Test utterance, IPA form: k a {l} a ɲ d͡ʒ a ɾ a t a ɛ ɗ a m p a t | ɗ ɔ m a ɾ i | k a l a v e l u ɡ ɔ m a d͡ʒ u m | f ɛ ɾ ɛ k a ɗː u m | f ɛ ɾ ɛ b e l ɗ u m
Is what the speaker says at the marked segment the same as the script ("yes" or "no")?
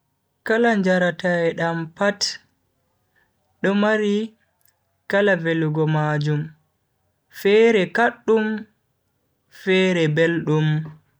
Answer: yes